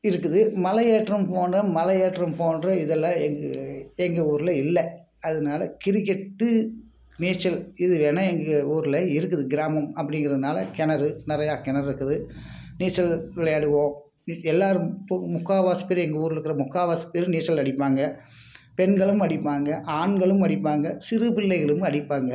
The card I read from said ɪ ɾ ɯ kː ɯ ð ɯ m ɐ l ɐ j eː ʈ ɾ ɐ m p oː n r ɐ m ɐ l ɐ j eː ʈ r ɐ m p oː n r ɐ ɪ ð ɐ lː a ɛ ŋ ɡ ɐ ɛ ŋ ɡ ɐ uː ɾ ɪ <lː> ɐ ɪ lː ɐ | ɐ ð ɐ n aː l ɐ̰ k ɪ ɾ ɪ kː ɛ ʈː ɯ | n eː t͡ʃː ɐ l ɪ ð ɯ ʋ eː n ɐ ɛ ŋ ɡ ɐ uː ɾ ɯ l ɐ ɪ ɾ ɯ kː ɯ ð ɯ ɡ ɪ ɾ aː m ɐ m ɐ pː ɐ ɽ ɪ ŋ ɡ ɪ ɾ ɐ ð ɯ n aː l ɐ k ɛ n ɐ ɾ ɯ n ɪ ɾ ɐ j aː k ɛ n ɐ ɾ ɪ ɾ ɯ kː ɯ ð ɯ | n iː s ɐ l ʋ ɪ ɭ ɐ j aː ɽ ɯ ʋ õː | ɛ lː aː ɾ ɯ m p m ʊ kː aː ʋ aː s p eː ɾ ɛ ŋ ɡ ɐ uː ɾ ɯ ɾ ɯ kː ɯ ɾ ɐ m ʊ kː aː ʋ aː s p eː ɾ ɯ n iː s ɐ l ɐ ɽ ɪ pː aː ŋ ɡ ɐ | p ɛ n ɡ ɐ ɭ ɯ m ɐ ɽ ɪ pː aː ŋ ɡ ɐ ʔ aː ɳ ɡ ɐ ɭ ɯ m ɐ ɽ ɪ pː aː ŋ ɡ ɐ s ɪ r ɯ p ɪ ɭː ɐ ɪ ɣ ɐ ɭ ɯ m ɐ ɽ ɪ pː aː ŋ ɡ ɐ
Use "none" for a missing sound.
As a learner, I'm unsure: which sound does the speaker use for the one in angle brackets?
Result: l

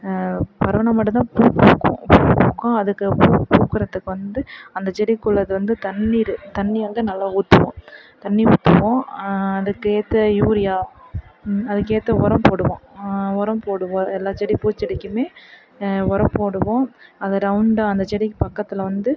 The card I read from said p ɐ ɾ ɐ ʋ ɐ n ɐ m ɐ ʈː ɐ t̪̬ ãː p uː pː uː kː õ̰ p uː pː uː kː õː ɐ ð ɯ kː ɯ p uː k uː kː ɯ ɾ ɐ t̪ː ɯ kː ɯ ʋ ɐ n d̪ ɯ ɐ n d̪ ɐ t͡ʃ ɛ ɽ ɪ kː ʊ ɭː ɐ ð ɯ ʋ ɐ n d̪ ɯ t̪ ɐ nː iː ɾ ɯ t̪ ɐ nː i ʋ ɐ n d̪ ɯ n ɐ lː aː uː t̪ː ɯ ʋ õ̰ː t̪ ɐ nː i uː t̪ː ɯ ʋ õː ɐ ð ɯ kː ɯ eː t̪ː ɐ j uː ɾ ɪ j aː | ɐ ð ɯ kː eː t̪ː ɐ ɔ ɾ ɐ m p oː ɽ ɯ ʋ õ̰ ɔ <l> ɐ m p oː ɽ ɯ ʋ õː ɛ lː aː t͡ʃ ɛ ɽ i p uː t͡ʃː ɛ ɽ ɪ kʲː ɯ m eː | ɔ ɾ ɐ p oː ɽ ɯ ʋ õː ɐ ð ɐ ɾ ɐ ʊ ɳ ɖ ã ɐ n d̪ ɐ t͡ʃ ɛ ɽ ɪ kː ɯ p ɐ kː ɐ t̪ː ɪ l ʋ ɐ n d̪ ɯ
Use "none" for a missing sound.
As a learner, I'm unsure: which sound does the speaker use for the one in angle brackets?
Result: ɾ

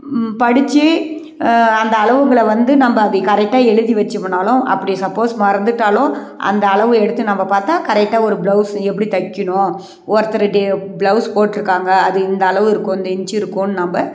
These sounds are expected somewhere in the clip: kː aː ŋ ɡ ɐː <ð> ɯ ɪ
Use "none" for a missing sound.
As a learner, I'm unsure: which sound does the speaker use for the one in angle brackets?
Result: ð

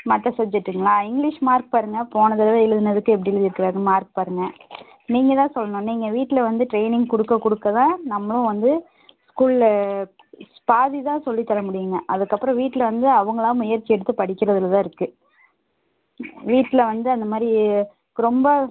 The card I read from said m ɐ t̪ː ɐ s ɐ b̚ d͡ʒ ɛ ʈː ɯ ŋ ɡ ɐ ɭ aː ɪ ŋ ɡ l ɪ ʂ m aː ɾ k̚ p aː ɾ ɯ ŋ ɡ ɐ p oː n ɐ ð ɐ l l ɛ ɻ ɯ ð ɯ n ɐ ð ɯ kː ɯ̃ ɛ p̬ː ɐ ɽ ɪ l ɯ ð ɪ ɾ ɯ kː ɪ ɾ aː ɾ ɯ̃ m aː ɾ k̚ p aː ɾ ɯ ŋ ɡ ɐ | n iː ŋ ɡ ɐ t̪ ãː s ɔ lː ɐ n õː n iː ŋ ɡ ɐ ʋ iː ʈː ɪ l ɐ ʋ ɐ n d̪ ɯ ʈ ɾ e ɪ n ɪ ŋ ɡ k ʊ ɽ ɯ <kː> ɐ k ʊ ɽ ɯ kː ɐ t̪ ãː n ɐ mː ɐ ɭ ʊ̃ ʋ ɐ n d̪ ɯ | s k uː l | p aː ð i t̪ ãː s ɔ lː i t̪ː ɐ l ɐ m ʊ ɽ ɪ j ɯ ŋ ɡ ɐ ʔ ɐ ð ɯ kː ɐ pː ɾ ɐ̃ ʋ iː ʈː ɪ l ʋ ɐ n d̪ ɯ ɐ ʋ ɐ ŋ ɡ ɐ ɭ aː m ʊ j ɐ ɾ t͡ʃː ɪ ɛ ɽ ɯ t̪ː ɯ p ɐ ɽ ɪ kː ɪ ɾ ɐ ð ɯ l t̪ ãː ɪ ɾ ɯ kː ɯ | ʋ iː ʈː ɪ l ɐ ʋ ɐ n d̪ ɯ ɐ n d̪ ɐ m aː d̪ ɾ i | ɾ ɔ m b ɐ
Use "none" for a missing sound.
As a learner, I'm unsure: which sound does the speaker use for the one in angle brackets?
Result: kː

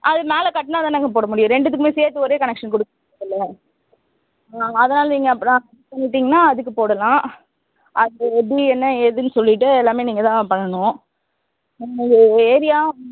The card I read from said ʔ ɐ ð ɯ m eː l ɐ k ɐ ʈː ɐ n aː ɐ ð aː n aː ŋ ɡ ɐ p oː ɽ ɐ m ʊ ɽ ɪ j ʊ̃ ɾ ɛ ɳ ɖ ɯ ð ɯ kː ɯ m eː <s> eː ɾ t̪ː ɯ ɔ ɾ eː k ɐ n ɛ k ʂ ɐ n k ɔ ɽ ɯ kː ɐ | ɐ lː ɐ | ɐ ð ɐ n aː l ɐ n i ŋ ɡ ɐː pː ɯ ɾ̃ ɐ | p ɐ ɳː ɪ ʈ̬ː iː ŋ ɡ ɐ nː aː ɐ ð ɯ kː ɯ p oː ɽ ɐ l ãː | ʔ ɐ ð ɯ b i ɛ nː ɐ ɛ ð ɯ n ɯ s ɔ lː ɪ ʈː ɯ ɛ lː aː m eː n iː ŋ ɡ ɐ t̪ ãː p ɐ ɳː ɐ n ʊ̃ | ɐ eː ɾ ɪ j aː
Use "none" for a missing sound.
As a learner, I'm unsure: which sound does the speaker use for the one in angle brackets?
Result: s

